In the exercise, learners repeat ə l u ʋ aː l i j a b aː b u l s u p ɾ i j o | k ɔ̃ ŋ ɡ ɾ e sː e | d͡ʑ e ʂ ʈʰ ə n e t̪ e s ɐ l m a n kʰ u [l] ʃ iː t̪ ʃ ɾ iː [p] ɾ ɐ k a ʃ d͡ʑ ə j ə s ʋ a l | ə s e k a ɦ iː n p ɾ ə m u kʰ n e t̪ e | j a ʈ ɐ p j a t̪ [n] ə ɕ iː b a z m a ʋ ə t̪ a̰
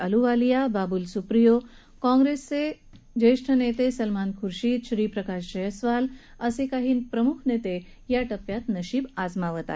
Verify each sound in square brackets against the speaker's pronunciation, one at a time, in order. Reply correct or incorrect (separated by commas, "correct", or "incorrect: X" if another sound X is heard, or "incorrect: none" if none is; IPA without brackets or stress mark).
incorrect: ɾ, correct, correct